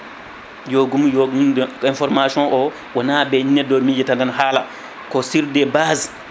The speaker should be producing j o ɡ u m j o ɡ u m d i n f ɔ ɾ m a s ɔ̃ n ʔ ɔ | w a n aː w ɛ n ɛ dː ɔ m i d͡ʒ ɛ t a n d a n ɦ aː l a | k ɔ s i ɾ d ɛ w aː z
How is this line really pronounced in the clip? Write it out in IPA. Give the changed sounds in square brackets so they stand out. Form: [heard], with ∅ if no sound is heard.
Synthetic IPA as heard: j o ɡ u m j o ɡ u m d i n f ɔ ɾ m a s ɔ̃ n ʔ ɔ | w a n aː [b] ɛ n ɛ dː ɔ m i d͡ʒ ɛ t a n d a n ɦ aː l a | k ɔ s i ɾ d ɛ [b] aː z